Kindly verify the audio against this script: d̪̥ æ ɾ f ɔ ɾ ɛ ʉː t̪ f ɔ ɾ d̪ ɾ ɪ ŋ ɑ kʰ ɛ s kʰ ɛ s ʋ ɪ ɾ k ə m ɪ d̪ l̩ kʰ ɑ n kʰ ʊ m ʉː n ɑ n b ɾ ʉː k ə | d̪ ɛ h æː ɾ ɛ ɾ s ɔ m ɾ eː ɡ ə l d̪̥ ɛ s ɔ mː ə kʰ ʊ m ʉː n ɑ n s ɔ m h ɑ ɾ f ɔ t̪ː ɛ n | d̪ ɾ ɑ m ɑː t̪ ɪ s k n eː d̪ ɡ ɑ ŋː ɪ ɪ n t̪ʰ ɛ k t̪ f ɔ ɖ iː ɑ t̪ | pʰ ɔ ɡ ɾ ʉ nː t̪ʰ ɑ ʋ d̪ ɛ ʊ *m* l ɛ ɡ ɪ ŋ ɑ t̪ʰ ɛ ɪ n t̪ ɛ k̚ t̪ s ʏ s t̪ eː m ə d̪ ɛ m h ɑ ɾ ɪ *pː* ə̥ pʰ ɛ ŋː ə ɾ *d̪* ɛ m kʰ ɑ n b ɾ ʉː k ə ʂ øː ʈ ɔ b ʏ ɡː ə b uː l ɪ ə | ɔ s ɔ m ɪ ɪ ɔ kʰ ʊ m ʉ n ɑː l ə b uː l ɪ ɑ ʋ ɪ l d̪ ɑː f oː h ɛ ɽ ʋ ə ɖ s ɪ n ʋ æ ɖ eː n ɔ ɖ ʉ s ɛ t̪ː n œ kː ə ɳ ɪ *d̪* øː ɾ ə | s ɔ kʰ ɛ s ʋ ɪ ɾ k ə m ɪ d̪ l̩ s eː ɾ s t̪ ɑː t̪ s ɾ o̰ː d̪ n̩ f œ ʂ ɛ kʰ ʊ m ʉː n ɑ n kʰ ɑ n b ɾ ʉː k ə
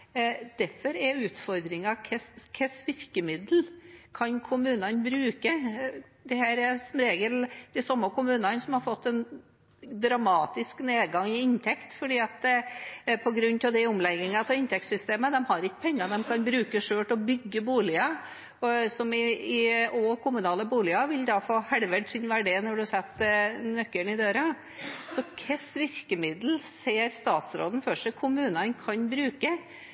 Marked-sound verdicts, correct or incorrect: correct, incorrect, correct, correct

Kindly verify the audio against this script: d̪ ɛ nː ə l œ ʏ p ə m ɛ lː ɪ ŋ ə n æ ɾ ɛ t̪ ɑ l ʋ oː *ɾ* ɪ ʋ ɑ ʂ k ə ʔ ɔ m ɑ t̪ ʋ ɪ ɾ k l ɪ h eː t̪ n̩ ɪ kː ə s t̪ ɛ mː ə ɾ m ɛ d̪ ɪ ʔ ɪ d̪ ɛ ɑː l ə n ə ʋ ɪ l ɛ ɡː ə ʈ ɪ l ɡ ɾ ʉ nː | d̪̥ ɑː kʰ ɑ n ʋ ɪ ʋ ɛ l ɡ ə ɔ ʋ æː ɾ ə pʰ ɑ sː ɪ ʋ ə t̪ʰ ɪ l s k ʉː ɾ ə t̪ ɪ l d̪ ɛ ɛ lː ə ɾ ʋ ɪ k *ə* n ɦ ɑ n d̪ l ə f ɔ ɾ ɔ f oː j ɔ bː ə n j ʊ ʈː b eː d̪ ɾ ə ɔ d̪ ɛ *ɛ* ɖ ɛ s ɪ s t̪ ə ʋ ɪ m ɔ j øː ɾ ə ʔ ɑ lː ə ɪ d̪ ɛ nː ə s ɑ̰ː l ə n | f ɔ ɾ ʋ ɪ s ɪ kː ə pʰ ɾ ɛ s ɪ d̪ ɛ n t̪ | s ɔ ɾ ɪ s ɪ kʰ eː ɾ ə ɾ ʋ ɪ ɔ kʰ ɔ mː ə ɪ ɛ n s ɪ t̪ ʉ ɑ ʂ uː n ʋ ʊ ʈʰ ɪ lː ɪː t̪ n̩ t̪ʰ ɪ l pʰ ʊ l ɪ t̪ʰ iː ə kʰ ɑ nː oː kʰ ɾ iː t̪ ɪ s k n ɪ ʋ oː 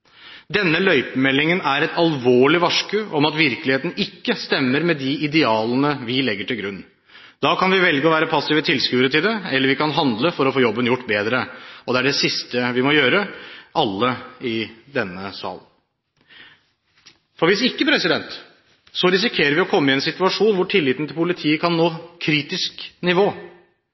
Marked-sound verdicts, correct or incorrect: incorrect, incorrect, incorrect

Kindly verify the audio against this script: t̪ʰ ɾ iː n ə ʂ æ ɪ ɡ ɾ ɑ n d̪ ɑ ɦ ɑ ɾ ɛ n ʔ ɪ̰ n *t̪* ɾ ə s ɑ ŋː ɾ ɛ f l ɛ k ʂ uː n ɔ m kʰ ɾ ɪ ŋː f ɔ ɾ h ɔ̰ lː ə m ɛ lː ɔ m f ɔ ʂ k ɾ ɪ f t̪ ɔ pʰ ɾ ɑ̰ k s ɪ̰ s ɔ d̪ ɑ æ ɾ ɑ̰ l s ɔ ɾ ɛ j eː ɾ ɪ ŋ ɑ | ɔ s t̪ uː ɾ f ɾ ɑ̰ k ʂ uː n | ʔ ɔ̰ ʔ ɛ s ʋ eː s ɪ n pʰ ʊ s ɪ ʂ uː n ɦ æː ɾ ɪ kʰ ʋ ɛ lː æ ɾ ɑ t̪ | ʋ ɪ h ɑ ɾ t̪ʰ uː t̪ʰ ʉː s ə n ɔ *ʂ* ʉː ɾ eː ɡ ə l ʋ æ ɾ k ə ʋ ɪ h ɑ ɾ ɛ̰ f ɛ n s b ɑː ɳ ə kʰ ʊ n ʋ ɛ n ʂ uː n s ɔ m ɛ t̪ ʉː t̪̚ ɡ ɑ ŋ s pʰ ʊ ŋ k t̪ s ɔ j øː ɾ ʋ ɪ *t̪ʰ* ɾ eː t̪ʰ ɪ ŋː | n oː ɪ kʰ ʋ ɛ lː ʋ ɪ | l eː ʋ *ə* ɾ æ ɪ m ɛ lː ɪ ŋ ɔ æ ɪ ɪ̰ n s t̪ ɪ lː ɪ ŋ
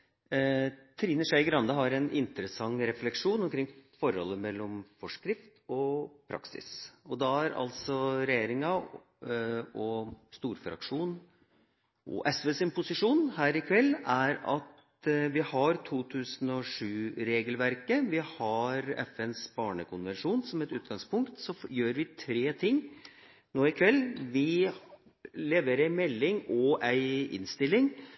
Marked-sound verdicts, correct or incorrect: correct, correct, correct, correct

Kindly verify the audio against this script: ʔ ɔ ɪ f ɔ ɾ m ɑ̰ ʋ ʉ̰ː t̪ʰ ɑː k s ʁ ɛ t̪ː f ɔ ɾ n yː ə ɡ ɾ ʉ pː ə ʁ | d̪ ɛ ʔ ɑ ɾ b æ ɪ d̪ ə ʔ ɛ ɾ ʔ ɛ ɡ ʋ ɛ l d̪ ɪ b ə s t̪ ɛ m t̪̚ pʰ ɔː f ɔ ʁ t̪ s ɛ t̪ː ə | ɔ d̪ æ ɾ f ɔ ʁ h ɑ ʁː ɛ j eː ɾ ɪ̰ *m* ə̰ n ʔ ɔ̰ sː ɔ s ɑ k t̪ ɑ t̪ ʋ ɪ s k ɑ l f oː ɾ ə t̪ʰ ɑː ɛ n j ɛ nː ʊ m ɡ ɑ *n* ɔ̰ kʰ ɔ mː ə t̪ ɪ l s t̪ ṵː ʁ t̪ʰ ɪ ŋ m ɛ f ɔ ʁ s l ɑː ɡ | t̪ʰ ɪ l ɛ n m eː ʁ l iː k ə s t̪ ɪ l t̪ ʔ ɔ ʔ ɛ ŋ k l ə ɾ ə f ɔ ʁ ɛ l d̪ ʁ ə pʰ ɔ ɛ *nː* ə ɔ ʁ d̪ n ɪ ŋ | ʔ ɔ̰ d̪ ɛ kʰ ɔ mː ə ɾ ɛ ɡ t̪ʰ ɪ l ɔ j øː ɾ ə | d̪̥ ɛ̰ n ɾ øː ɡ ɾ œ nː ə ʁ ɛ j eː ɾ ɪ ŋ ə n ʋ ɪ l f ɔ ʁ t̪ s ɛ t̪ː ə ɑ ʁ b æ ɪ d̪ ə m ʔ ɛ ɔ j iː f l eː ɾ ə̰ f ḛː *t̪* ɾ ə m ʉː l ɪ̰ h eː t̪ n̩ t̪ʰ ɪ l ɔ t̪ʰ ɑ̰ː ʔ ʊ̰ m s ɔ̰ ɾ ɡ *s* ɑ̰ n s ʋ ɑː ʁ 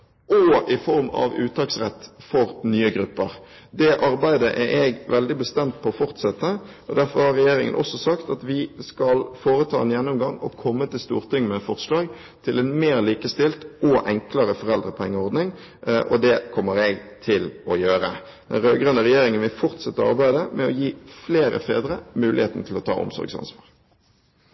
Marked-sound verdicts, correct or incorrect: incorrect, incorrect, incorrect, incorrect, correct

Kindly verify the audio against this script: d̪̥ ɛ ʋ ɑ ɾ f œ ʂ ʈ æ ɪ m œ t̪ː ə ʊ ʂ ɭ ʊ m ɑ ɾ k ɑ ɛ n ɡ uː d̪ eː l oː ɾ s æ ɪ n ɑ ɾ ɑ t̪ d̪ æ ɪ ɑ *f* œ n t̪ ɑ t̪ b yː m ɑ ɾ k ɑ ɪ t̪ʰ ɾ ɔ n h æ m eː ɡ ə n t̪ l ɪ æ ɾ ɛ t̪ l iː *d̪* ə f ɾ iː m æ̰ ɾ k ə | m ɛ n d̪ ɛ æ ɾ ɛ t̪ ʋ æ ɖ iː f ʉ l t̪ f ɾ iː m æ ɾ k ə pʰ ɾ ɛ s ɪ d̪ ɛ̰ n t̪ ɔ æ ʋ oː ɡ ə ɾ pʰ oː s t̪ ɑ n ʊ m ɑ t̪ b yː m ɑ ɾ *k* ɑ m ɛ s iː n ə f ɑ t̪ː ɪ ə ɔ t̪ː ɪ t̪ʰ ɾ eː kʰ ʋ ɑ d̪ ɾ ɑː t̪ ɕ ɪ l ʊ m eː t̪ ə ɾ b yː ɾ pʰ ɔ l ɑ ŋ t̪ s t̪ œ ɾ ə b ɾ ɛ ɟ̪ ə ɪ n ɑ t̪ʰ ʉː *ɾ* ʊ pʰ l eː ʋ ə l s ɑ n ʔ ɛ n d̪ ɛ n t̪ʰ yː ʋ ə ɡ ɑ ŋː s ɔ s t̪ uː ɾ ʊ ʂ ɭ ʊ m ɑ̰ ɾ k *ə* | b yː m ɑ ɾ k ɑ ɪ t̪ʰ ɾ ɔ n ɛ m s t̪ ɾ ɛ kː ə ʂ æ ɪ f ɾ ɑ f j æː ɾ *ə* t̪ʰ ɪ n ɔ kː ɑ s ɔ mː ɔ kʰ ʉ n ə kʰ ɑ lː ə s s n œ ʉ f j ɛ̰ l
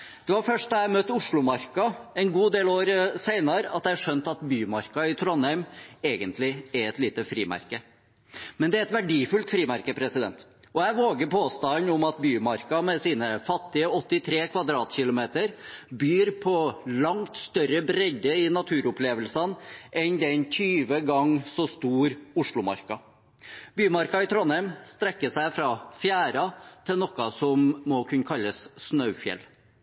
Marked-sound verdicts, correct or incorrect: incorrect, incorrect, correct, correct, incorrect, incorrect

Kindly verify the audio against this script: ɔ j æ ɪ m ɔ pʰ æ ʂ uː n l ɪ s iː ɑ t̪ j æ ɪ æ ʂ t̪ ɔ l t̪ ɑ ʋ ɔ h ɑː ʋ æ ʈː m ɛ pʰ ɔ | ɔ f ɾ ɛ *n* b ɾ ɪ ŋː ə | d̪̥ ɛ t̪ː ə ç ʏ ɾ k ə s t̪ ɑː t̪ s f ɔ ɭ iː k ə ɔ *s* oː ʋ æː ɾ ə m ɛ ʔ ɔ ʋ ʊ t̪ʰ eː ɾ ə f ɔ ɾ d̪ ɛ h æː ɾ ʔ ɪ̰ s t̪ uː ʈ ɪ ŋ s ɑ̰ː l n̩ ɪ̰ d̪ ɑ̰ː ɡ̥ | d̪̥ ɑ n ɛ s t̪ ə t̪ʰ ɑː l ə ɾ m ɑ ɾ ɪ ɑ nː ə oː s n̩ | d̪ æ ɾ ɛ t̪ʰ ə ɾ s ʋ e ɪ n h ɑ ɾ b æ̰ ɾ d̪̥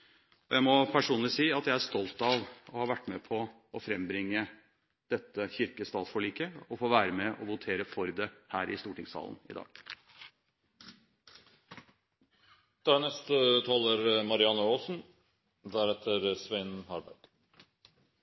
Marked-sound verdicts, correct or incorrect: incorrect, incorrect

